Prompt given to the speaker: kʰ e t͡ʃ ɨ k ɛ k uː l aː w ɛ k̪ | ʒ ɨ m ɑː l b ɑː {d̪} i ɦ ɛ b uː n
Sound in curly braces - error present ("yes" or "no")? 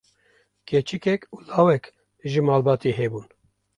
yes